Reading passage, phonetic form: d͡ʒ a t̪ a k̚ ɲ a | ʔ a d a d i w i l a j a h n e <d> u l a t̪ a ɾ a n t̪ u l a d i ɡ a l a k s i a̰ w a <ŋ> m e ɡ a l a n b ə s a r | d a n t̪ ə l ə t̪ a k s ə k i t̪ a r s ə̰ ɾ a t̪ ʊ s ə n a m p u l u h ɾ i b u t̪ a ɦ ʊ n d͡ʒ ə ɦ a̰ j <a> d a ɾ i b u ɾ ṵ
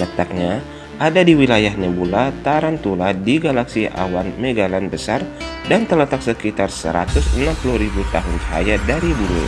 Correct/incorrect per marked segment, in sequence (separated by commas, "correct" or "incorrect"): incorrect, incorrect, correct